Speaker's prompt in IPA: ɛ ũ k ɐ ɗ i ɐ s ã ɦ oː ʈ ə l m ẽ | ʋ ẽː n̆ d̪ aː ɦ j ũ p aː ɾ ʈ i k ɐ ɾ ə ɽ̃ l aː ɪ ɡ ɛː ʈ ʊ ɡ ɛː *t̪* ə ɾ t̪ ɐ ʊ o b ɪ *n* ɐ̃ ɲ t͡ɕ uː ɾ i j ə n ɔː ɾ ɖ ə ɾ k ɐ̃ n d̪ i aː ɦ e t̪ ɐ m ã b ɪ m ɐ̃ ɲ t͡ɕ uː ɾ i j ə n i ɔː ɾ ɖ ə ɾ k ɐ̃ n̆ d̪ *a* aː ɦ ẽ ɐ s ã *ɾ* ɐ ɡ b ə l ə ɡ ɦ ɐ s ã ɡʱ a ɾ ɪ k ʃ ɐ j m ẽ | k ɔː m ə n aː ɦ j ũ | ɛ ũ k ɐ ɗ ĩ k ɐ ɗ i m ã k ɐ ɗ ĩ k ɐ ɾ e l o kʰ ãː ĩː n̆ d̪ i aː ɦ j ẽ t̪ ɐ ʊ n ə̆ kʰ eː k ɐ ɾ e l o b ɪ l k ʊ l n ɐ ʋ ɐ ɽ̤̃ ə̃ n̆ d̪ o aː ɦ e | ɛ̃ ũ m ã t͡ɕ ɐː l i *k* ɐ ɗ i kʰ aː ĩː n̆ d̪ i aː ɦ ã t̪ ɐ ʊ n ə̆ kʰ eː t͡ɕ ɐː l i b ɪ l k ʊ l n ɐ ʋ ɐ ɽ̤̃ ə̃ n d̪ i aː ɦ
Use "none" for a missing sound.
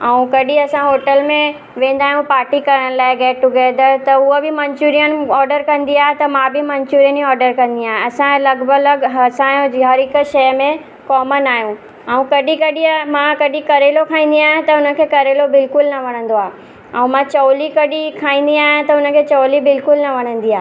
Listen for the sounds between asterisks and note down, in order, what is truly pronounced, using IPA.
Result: d̪, m, i, l, k

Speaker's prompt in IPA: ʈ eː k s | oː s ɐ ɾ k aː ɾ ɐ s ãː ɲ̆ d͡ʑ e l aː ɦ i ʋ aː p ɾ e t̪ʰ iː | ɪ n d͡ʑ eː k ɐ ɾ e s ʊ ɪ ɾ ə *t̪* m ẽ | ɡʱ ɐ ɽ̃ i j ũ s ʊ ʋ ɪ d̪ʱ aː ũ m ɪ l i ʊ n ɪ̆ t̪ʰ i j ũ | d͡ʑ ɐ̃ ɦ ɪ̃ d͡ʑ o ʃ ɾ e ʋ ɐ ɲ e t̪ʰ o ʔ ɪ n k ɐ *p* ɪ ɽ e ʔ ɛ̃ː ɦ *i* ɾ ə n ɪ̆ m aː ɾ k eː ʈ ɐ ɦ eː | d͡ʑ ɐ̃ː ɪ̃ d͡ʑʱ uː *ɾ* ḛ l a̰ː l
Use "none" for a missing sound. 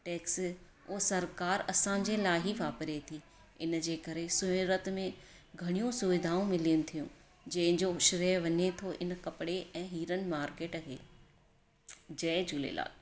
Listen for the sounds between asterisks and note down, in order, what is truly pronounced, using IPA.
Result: t̪, p, iː, l

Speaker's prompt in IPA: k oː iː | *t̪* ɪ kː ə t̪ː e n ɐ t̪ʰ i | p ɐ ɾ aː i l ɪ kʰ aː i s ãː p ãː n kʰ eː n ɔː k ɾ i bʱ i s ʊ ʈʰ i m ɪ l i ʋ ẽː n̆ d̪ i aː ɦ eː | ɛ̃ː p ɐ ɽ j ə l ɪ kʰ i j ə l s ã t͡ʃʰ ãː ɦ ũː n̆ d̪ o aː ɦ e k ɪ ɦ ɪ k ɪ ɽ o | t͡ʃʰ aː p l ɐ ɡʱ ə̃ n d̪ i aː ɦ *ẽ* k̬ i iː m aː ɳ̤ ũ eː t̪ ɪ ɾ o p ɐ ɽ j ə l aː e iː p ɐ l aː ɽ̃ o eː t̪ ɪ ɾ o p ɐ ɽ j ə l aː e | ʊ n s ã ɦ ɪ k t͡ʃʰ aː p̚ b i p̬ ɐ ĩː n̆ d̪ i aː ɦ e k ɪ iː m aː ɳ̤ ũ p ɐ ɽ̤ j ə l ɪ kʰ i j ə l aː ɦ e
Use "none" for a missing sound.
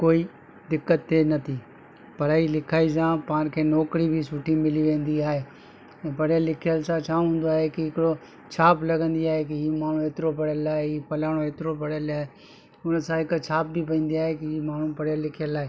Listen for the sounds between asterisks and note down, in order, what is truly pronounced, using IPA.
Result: d̪, e

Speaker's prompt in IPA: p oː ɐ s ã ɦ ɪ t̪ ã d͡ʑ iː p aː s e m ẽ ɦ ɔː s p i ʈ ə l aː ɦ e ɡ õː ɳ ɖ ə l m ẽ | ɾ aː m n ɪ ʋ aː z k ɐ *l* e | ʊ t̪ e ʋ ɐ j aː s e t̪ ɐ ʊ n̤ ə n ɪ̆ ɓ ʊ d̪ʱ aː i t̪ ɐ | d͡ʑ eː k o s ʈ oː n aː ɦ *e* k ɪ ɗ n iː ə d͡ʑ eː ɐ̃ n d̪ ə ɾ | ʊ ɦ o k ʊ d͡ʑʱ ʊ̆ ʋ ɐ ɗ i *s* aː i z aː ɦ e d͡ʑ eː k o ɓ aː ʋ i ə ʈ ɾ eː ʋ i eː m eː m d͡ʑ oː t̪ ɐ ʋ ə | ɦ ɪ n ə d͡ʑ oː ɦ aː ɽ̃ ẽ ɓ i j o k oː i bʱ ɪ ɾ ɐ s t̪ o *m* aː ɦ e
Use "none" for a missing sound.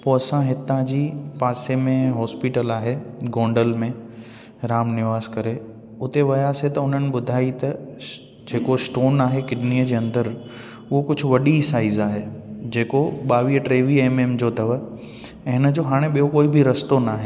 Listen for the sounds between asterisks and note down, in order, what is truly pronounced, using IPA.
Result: ɾ, e, s, n

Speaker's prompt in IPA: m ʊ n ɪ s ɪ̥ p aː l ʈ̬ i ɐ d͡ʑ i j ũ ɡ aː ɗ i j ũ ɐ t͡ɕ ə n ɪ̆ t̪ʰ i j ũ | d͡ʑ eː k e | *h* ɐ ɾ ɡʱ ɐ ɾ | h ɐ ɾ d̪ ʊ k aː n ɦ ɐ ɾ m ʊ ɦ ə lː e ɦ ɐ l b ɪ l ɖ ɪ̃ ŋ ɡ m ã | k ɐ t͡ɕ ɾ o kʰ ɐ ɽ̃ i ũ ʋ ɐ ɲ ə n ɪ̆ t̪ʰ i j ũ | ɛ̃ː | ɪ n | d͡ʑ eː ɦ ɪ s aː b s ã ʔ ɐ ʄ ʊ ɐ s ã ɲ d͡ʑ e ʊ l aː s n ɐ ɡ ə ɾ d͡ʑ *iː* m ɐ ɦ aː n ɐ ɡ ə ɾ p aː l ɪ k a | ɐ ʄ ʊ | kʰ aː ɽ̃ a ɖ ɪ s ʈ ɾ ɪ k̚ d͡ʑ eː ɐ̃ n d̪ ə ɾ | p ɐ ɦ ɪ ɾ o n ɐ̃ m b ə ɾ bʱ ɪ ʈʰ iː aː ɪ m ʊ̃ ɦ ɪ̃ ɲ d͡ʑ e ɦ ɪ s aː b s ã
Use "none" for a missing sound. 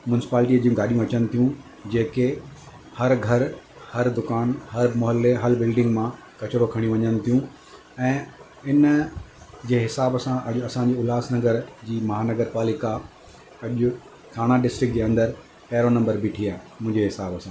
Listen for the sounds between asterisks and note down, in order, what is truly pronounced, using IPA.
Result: h, iː

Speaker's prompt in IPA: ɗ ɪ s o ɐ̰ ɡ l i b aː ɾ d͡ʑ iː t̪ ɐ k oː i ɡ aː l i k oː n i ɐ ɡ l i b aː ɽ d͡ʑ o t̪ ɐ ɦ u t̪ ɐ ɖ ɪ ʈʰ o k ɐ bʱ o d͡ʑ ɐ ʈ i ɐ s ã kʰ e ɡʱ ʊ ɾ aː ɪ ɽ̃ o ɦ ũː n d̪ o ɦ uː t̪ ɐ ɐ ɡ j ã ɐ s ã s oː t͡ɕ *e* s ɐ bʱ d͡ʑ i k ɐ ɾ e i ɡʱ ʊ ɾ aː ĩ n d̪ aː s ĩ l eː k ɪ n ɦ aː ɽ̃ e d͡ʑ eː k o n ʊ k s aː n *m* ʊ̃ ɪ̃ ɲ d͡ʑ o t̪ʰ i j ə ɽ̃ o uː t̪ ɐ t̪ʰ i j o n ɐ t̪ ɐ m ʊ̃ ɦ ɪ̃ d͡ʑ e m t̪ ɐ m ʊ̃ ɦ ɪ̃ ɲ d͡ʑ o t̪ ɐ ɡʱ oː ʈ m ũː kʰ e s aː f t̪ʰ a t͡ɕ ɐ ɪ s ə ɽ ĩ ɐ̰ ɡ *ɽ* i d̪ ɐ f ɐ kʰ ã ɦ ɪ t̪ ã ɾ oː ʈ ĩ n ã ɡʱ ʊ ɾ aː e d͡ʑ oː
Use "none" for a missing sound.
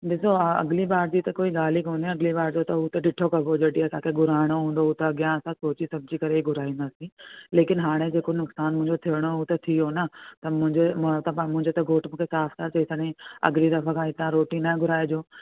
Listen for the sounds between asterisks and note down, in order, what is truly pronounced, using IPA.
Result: i, m, l

